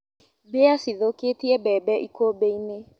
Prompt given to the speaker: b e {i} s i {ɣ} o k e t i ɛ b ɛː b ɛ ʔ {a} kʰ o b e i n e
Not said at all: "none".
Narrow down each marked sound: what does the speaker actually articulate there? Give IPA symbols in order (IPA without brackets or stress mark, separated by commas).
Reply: a, ð, i